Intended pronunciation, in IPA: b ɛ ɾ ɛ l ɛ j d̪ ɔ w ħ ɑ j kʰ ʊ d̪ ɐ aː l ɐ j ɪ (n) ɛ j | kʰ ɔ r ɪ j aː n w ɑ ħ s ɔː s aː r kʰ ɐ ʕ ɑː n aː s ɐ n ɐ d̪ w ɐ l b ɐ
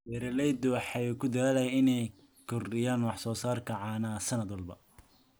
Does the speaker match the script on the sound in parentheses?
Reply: yes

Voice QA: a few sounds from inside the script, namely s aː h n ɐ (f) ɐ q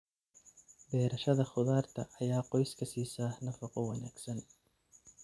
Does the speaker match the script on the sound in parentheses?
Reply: yes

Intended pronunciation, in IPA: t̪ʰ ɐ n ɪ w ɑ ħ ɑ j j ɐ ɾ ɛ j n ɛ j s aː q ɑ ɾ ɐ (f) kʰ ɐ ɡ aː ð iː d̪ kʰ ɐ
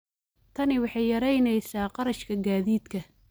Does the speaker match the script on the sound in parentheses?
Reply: no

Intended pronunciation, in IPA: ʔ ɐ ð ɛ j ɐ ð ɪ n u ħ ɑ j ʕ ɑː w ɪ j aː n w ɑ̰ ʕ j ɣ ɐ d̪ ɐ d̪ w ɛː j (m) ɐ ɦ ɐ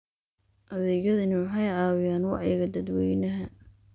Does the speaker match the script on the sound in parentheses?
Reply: no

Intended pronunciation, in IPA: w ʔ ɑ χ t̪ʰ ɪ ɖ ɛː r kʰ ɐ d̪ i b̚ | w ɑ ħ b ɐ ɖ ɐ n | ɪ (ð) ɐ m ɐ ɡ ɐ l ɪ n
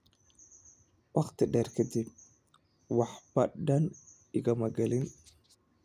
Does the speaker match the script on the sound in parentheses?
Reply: no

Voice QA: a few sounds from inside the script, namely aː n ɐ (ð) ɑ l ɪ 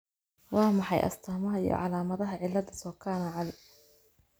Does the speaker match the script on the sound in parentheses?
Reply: no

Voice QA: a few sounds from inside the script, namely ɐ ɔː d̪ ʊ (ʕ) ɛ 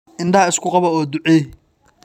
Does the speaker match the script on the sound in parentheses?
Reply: yes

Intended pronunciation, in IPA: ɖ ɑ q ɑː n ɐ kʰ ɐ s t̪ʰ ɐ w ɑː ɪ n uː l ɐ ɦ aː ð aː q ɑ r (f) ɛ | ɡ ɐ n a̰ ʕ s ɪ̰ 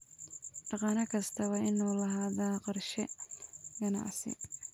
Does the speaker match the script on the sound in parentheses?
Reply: no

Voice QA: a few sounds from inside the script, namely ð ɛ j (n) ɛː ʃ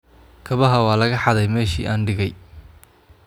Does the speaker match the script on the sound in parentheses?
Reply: no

